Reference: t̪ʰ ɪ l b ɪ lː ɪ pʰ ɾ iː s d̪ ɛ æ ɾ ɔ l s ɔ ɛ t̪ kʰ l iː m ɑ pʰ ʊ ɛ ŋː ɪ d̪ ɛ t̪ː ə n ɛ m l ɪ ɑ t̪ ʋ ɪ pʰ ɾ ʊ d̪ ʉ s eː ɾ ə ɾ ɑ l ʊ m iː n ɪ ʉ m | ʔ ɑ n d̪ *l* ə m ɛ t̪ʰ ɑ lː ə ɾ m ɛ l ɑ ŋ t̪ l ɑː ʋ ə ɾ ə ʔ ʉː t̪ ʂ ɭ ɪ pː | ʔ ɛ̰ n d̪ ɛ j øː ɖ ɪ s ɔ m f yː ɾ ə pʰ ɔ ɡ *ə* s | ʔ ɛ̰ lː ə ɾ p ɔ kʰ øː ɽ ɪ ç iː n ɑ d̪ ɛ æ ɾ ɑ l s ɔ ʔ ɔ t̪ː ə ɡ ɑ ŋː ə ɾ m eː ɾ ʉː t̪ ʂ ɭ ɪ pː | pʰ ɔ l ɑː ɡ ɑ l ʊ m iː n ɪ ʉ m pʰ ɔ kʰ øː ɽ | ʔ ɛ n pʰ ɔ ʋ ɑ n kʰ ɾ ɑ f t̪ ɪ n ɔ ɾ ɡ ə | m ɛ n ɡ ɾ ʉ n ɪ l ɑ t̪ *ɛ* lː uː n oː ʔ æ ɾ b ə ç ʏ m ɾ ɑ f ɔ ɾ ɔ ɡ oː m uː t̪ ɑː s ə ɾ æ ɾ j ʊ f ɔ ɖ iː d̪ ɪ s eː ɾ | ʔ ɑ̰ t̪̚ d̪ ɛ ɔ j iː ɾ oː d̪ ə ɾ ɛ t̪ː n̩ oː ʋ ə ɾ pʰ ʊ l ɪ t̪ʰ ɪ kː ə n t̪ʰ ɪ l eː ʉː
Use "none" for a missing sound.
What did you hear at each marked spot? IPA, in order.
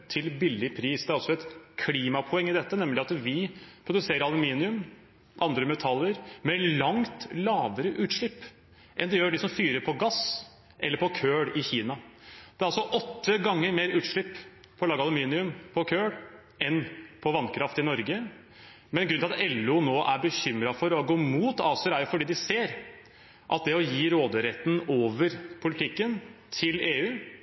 ɾ, ɑ, ɛ

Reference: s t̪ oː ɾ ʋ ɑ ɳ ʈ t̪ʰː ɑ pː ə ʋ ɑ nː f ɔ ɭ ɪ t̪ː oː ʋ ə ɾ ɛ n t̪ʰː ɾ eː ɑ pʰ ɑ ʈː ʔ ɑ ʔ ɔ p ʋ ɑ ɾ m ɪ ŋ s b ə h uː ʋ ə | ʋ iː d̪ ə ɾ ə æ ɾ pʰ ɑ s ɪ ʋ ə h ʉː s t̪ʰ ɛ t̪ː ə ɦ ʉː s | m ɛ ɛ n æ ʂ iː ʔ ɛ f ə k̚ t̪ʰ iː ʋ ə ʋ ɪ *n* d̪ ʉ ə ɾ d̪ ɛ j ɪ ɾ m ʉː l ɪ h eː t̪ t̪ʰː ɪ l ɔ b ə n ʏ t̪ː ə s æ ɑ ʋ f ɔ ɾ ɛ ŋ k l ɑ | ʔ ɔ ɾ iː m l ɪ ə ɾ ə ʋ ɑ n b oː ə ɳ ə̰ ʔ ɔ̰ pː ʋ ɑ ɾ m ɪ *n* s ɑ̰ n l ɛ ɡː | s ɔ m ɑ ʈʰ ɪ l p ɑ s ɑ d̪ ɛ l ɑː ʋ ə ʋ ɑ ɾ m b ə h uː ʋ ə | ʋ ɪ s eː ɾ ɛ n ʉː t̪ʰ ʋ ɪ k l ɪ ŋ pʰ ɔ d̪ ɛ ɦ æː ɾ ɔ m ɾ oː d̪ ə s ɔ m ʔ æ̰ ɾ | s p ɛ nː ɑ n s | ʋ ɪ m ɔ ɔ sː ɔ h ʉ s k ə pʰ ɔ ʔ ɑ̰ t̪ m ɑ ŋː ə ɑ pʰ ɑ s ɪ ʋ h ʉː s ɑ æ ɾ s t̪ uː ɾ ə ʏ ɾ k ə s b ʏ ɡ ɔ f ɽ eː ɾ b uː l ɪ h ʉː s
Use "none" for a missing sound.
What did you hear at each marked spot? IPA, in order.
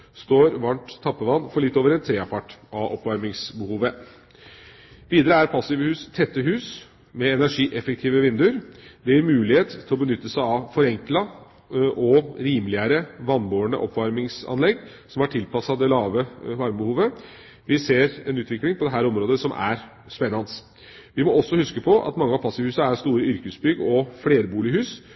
n, ŋ

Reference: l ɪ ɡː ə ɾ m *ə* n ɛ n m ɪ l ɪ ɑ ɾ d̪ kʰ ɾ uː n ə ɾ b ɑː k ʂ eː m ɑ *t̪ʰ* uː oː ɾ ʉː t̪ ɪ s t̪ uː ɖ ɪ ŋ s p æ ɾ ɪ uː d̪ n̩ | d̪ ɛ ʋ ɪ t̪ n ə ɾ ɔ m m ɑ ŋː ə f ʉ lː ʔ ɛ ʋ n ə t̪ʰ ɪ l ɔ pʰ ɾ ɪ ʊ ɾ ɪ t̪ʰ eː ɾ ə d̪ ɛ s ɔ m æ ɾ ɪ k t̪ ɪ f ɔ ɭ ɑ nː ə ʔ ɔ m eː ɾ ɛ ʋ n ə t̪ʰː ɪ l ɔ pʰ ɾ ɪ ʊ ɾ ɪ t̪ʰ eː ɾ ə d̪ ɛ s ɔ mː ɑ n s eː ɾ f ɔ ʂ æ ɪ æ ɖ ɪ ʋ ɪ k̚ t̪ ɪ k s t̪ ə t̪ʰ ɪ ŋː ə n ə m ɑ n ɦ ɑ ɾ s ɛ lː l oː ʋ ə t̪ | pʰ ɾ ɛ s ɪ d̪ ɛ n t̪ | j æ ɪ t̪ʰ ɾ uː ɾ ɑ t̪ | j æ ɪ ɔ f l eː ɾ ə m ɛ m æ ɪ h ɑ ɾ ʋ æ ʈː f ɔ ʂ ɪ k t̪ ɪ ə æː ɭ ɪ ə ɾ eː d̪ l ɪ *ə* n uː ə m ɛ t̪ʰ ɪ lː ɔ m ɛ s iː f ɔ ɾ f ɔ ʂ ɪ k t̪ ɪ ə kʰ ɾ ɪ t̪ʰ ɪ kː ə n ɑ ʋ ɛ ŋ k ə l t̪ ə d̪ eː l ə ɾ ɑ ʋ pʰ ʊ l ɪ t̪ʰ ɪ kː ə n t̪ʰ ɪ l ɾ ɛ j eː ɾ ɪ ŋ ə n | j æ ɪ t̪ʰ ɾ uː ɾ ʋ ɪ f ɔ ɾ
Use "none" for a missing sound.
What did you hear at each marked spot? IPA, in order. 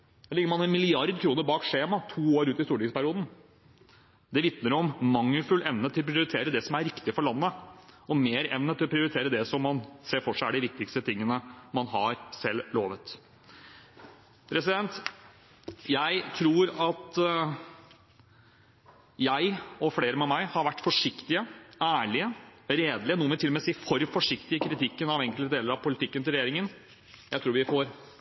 ɑ, t̪ʰ, ə

